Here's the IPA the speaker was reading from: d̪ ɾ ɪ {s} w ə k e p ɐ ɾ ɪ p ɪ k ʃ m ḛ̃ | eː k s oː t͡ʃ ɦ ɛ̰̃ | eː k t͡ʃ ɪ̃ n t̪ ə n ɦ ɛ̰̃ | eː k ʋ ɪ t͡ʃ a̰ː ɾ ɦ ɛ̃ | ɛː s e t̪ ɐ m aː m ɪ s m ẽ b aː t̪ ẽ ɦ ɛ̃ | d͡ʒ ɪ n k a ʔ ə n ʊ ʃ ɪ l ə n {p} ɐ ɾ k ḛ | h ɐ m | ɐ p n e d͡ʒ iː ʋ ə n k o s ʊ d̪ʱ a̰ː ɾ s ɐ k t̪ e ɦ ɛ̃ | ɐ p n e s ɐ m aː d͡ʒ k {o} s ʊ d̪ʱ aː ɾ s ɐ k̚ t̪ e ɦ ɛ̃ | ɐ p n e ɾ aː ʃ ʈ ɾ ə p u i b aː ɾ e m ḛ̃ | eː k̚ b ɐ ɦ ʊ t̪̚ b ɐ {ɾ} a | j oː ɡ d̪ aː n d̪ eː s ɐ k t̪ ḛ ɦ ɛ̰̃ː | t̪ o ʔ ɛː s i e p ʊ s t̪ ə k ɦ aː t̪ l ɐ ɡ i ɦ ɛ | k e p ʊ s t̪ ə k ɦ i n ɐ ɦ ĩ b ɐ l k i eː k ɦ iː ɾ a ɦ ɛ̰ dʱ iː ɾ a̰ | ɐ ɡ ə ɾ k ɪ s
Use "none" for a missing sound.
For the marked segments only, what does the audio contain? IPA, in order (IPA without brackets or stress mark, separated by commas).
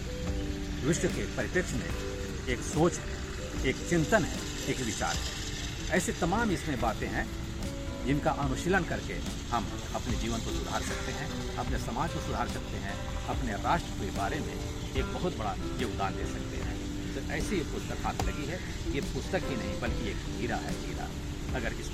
ʃ, k, o, ɽ